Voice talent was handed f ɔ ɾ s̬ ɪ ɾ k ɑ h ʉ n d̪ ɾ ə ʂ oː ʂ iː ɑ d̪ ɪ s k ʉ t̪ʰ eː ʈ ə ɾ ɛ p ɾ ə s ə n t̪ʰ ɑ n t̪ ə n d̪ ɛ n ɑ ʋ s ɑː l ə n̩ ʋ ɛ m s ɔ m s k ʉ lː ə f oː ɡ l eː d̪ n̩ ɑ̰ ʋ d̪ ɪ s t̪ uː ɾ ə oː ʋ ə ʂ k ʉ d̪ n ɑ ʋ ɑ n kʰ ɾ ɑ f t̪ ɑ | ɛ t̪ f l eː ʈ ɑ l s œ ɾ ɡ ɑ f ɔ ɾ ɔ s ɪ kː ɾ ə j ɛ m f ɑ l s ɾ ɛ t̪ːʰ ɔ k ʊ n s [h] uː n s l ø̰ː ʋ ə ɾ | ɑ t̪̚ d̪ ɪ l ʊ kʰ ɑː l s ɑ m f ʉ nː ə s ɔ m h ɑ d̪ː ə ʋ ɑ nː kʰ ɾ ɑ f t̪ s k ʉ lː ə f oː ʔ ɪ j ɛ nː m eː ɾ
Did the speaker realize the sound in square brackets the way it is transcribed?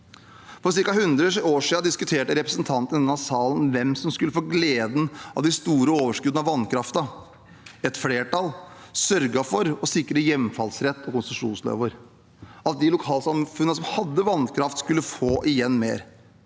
no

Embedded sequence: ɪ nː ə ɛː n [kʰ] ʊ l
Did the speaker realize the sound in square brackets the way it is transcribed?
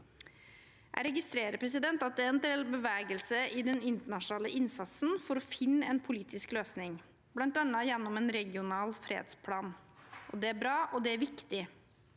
no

